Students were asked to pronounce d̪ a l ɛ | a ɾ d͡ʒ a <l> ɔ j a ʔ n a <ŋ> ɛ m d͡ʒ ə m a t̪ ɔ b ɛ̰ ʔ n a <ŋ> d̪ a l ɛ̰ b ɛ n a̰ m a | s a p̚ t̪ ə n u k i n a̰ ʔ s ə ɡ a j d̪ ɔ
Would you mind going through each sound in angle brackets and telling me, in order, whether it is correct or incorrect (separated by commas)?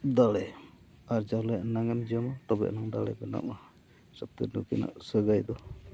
correct, correct, correct